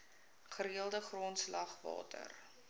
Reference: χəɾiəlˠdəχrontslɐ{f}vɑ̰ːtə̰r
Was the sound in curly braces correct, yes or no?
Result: no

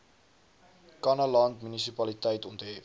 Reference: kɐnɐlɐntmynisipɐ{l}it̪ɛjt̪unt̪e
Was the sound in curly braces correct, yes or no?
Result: yes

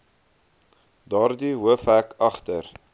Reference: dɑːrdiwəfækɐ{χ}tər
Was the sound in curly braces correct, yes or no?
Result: yes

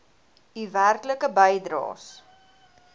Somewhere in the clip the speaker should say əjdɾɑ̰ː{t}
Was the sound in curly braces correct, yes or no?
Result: no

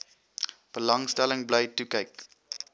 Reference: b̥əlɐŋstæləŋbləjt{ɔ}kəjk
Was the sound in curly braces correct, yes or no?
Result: no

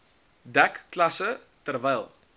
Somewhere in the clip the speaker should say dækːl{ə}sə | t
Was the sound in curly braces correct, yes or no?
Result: no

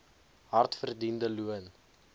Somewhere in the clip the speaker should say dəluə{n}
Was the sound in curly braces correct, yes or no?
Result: yes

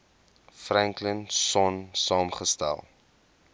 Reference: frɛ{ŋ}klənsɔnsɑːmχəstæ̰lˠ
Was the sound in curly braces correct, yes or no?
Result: yes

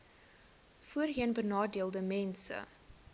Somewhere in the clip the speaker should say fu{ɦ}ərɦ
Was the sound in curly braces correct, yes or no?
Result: no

